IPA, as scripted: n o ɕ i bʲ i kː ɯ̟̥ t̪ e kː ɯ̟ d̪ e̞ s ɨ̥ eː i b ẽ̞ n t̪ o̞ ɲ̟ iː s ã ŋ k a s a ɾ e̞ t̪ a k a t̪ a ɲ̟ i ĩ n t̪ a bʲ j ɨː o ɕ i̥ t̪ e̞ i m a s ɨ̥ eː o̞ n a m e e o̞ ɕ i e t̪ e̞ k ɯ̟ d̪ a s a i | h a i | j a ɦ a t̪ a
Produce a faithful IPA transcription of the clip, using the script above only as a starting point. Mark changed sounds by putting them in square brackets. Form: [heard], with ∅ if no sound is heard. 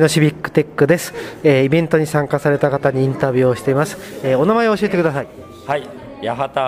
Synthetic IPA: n o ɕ i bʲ i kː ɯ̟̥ t̪ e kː ɯ̟ d̪ e̞ s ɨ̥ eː i b ẽ̞ n t̪ o̞ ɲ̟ [i] s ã ŋ k a s a ɾ e̞ t̪ a k a t̪ a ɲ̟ i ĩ n t̪ a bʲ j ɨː o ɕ i̥ t̪ e̞ i m a s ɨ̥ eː o̞ n a m [a] e o̞ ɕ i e t̪ e̞ k ɯ̟ d̪ a s a i | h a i | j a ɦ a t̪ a